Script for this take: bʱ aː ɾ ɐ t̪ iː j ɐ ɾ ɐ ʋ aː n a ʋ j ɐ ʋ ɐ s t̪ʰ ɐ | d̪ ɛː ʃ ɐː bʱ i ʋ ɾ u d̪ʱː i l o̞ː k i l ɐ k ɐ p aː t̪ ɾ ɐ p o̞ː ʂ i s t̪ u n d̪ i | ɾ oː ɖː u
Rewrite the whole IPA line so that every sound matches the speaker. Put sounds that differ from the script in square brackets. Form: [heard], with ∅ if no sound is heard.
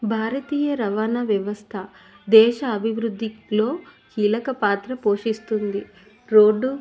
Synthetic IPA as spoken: bʱ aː ɾ ɐ t̪ iː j ɐ ɾ ɐ ʋ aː n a ʋ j ɐ ʋ ɐ s t̪ʰ ɐ | d̪ ɛː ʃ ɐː bʱ i ʋ ɾ u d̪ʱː i l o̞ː k [iː] l ɐ k ɐ p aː t̪ ɾ ɐ p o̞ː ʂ i s t̪ u n d̪ i | ɾ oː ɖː u

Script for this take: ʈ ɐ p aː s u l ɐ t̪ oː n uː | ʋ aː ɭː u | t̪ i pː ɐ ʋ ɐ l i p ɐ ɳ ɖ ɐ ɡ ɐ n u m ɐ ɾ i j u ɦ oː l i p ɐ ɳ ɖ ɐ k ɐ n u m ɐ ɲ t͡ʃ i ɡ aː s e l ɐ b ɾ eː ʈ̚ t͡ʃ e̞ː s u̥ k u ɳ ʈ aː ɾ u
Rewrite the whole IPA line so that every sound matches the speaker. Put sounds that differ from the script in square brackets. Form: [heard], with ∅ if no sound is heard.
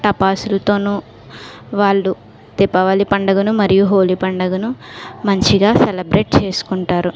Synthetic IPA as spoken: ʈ ɐ p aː s u l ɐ t̪ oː n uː | ʋ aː ɭː u | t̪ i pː ɐ ʋ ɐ l i p ɐ ɳ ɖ ɐ ɡ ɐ n u m ɐ ɾ i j u ɦ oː l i p ɐ ɳ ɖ ɐ [ɡ] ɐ n u m ɐ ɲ t͡ʃ i ɡ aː s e l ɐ b ɾ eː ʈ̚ t͡ʃ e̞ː s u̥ k u ɳ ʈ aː ɾ u

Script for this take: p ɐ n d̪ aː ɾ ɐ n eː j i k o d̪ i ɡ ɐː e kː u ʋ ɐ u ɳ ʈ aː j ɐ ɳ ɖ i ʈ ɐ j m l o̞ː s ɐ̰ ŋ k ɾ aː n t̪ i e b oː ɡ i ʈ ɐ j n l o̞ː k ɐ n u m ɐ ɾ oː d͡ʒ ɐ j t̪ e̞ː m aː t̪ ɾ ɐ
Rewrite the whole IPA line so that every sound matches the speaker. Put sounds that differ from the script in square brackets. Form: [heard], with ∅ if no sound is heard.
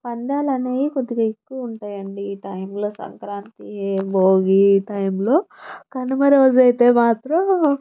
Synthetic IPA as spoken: p ɐ n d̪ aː [l] ɐ n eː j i k o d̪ i ɡ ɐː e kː u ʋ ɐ u ɳ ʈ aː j ɐ ɳ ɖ i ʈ ɐ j m l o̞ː s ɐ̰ ŋ k ɾ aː n t̪ i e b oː ɡ i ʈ ɐ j [m] l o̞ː k ɐ n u m ɐ ɾ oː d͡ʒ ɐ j t̪ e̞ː m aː t̪ ɾ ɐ

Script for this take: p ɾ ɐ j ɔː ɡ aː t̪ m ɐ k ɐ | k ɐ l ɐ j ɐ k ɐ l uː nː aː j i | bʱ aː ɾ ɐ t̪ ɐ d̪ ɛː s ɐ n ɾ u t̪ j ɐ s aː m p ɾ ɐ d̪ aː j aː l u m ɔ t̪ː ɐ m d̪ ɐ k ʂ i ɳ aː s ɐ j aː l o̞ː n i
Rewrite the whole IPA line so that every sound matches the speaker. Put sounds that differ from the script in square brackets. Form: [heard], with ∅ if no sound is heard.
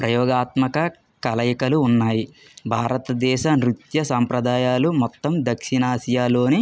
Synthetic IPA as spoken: p ɾ ɐ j ɔː ɡ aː t̪ m ɐ k ɐ | k ɐ l ɐ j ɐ k ɐ l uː nː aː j i | bʱ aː ɾ ɐ t̪ ɐ d̪ ɛː [ʃ] ɐ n ɾ u t̪ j ɐ s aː m p ɾ ɐ d̪ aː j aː l u m ɔ t̪ː ɐ m d̪ ɐ k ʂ i [n] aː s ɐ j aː l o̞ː n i

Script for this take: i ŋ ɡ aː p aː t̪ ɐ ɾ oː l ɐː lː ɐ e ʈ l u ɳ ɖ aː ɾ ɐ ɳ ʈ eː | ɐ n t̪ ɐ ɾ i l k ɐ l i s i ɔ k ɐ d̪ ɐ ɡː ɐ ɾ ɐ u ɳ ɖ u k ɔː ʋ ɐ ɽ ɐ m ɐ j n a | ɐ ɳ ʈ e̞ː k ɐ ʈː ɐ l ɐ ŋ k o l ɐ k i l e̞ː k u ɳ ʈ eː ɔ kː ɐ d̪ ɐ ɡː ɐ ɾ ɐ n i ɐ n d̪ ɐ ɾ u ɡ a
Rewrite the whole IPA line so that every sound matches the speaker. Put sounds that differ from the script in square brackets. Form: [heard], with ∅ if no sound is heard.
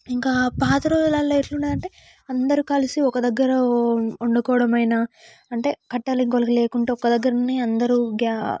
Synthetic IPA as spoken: i ŋ [k] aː p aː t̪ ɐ ɾ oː l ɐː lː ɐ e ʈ l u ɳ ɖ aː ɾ ɐ ɳ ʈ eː | ɐ n [d̪] ɐ ɾ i [∅] k ɐ l i s i ɔ k ɐ d̪ ɐ ɡː ɐ ɾ ɐ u ɳ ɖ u k ɔː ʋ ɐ ɽ ɐ m ɐ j n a | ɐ ɳ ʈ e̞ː k ɐ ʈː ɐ l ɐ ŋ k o l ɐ k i l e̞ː k u ɳ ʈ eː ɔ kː ɐ d̪ ɐ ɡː ɐ ɾ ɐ n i ɐ n d̪ ɐ ɾ u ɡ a

